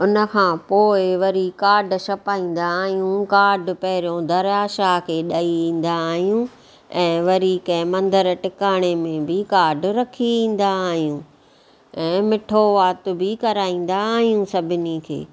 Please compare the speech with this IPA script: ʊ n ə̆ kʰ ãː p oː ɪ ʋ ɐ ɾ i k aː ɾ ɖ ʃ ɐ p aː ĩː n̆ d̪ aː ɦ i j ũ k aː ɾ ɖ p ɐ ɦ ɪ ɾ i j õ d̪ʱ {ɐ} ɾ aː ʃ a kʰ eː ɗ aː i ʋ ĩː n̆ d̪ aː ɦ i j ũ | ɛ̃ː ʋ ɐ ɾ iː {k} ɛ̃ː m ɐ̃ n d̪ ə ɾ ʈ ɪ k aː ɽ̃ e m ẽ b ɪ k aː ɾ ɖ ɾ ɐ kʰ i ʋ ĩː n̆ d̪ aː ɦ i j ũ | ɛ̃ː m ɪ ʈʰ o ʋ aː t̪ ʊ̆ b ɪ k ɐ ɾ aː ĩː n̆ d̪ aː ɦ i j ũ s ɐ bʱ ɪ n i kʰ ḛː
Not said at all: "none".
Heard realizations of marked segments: ɐ, k

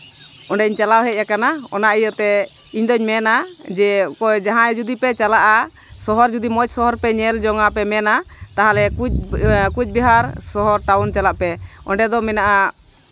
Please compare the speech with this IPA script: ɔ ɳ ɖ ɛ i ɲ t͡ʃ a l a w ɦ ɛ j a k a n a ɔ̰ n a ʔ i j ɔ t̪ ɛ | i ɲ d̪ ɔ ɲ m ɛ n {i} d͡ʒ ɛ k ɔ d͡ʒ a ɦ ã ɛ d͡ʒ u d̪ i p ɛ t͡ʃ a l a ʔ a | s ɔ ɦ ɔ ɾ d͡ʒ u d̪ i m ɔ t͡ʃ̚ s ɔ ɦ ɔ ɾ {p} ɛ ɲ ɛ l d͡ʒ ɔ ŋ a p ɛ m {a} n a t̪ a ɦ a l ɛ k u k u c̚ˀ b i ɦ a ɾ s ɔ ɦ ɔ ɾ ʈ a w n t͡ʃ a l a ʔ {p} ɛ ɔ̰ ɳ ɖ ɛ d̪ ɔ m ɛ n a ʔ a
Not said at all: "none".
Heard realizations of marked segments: a, p, ɛ, p

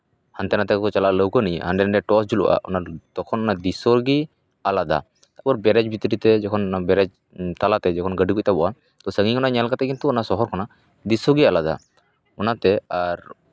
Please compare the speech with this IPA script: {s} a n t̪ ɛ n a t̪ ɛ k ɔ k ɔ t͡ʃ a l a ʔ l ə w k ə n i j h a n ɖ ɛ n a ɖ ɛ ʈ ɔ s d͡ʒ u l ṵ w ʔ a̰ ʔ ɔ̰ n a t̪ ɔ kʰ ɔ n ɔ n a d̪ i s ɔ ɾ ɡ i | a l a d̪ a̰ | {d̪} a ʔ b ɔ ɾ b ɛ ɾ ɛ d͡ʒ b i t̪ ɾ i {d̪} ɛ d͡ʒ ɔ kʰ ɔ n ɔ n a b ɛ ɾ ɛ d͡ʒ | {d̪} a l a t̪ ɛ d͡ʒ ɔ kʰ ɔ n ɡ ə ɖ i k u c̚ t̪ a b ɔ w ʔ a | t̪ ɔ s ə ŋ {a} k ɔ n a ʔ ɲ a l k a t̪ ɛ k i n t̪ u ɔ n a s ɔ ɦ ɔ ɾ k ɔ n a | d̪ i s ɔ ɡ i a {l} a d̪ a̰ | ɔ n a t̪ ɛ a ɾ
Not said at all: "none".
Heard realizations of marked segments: h, t̪, t̪, t̪, i, l

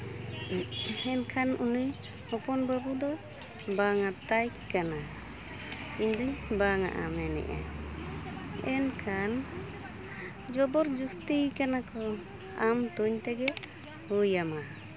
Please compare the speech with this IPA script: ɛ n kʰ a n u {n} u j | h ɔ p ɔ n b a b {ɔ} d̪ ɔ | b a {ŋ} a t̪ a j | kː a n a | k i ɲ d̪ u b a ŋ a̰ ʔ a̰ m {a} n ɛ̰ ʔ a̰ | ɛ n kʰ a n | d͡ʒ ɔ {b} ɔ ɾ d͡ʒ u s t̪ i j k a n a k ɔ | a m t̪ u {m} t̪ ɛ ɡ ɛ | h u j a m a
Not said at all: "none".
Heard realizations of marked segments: n, u, ŋ, ɛ, b, ɲ

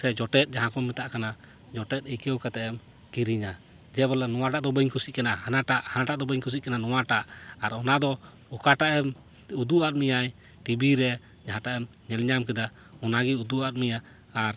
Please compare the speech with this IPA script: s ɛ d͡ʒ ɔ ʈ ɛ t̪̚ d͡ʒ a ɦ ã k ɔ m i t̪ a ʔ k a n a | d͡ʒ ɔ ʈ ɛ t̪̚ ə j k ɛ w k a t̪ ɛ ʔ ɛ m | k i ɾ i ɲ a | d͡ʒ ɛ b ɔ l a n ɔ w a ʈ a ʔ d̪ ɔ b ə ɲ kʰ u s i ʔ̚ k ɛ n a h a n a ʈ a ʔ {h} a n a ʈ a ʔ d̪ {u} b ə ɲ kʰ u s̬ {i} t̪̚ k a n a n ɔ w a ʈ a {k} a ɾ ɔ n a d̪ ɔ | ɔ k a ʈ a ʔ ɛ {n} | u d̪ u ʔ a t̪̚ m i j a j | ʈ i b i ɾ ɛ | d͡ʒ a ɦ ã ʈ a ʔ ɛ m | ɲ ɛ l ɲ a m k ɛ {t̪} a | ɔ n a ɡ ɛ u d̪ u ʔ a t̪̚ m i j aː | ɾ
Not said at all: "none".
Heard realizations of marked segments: h, ɔ, i, ʔ, m, d̪

